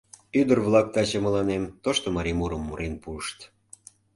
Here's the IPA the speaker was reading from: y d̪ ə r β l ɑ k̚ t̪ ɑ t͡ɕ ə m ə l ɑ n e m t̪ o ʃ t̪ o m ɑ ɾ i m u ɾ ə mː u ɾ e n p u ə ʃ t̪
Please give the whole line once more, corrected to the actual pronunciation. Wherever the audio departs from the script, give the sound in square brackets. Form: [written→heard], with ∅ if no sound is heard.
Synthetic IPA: y d̪ ə r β l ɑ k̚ t̪ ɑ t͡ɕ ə m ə l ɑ n e m t̪ o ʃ t̪ o m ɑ ɾ i m u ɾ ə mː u ɾ e n p u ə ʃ t̪